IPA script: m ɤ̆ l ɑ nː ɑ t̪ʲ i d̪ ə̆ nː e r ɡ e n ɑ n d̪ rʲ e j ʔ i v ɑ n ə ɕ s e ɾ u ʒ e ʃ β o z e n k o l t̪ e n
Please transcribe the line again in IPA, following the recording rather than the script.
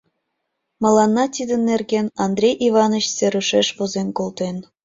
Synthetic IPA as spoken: m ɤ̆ l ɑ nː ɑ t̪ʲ i d̪ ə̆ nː e r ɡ e n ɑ n d̪ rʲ e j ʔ i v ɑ n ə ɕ s e ɾ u ʃ e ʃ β o z e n k o l t̪ e n